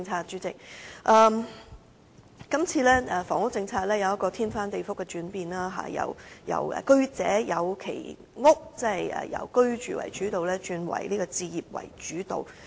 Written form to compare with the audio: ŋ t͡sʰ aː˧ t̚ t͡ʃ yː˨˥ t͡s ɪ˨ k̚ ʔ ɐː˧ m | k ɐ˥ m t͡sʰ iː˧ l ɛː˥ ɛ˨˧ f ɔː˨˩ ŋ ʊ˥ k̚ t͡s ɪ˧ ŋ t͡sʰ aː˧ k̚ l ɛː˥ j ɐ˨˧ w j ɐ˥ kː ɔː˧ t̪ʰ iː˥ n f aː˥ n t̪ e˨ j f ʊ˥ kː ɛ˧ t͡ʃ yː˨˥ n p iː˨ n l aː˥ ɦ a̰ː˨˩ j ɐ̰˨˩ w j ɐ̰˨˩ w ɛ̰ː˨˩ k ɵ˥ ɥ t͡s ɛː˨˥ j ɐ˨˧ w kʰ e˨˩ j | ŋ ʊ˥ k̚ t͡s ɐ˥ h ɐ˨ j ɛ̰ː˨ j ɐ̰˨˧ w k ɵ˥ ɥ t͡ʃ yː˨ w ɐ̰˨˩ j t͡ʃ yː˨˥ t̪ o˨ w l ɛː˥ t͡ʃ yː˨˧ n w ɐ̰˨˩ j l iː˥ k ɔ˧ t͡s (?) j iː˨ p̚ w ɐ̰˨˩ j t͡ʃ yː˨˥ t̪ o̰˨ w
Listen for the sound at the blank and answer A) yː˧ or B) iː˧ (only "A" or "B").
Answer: B